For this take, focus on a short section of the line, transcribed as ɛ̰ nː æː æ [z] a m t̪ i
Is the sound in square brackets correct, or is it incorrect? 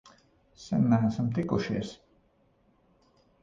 incorrect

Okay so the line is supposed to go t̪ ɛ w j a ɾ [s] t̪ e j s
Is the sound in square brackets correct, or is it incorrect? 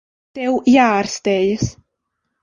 correct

